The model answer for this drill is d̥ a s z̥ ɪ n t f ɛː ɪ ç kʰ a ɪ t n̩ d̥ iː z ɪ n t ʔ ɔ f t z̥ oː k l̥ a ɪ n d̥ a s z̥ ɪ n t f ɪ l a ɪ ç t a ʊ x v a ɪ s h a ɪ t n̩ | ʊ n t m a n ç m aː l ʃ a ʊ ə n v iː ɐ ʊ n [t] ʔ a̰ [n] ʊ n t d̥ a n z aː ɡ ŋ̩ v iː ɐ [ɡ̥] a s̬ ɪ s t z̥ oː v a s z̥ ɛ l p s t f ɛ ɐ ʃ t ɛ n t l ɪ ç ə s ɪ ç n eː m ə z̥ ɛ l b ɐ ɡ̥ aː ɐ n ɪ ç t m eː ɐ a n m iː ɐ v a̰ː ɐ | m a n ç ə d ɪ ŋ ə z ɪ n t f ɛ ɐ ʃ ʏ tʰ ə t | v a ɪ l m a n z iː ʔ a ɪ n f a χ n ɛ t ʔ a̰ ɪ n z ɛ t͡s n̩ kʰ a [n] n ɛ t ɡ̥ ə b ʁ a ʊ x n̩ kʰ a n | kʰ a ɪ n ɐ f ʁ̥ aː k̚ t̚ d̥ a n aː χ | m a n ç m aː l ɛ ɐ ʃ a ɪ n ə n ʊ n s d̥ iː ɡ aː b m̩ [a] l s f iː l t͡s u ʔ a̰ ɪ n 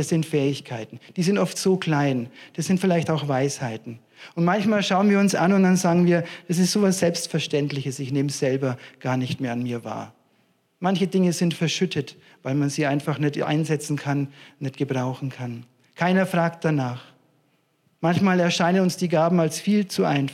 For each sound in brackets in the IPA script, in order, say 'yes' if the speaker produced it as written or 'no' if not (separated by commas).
no, yes, no, yes, yes